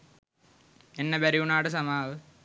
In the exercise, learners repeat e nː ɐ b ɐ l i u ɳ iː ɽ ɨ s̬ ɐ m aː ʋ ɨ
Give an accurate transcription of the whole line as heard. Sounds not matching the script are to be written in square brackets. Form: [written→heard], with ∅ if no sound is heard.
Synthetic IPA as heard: e nː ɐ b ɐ [l→ɾ] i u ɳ [iː→aː] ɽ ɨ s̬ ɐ m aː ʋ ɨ